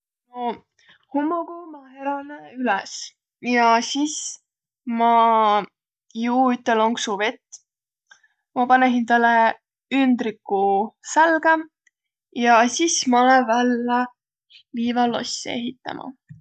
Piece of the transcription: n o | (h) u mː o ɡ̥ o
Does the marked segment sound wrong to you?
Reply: no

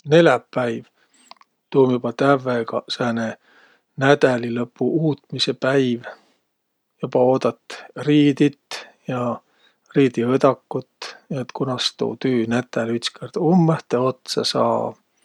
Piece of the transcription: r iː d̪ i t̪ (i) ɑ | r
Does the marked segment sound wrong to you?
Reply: yes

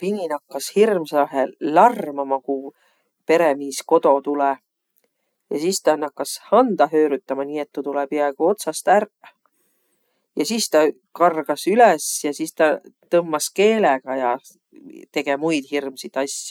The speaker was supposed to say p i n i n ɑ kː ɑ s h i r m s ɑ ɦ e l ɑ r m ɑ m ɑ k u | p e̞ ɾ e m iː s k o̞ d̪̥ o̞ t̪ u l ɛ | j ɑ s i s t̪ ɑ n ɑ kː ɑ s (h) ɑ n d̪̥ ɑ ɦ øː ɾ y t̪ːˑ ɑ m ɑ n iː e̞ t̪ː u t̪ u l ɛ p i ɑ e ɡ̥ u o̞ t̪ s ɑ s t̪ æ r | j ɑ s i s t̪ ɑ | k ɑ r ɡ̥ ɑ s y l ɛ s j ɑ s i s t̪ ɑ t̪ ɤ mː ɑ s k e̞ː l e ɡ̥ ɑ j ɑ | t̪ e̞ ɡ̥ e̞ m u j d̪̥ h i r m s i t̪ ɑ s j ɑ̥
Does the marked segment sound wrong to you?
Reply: no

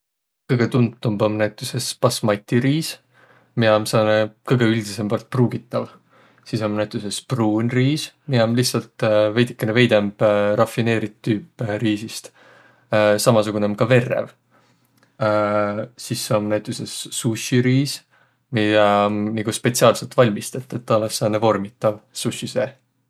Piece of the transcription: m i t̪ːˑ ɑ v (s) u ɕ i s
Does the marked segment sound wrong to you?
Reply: no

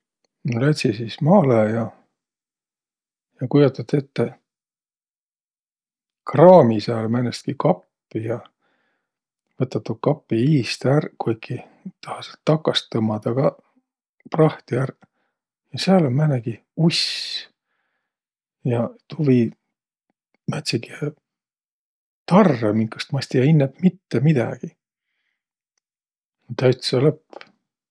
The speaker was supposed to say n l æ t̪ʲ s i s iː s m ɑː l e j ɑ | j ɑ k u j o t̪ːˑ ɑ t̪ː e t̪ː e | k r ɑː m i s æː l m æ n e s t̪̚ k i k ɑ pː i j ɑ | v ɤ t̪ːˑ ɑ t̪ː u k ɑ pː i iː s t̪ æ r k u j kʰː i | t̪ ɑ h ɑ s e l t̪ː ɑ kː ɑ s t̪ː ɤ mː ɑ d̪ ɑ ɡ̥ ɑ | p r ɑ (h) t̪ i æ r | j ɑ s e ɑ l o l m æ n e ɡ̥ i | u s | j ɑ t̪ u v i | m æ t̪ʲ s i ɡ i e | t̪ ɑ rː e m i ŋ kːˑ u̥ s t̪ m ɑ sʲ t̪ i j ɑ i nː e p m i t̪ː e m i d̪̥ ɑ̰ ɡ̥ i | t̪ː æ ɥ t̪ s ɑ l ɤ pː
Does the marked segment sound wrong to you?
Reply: no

